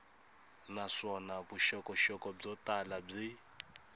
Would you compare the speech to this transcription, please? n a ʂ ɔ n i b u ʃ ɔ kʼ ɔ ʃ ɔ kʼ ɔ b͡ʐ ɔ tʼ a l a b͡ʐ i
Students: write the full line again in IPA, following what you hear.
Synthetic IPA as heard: n a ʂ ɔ n a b u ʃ ɔ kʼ ɔ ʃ ɔ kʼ ɔ b͡ʐ ɔ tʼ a l a b͡ʐ i